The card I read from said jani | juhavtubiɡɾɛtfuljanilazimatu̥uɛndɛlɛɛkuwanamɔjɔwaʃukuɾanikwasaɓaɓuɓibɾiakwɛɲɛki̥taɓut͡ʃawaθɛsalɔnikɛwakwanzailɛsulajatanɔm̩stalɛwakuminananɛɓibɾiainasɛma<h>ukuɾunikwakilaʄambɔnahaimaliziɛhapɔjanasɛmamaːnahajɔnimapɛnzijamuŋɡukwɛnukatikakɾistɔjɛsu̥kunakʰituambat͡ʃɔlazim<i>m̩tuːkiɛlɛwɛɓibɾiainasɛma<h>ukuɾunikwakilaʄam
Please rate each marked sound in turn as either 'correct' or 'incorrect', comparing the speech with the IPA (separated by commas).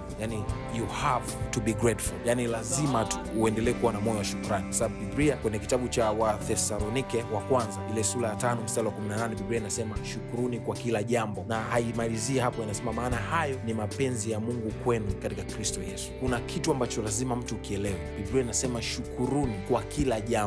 incorrect, incorrect, incorrect